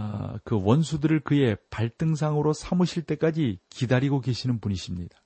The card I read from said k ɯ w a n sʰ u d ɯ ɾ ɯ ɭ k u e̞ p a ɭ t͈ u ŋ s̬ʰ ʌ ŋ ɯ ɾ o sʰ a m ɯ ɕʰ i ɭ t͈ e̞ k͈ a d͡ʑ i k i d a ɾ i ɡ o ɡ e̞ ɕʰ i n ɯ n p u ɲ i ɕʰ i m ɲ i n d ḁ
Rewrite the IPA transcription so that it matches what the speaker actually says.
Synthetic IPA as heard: k ɯ w ʌ n sʰ u d ɯ ɾ ɯ ɭ k ɯ e̞ p a ɭ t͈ ɯ ŋ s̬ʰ a ŋ ɯ ɾ o sʰ a m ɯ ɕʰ i ɭ t͈ e̞ k͈ a d͡ʑ i k i d a ɾ i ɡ o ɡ e̞ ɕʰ i n ɯ n p u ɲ i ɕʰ i m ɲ i d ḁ